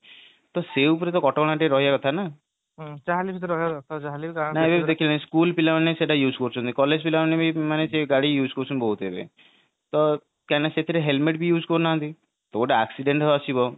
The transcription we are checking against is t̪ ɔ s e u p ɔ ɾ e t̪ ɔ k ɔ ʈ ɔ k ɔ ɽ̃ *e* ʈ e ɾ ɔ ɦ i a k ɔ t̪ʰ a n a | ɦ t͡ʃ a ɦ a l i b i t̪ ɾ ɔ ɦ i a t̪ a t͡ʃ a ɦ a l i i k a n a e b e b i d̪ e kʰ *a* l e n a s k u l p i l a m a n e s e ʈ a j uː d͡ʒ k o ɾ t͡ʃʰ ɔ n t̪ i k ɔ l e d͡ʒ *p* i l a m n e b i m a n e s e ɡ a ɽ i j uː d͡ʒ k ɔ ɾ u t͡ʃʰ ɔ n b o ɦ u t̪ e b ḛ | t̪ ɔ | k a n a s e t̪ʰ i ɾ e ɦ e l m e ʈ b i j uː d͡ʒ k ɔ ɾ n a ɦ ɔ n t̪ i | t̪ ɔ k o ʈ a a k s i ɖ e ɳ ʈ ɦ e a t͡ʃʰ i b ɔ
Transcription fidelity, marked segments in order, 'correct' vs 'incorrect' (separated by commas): incorrect, incorrect, correct